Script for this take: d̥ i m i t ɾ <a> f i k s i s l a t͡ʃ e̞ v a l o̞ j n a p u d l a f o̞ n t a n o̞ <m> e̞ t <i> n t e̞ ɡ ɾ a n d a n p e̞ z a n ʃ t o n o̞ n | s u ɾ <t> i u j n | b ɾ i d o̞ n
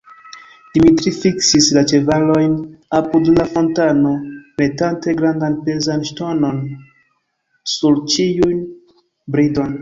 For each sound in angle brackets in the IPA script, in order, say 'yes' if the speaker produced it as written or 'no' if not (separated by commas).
no, yes, no, no